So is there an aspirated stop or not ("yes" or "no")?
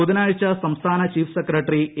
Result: yes